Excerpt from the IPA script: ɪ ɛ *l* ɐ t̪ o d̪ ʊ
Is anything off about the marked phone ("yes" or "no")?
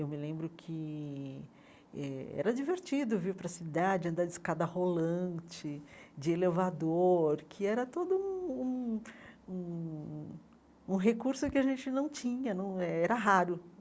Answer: yes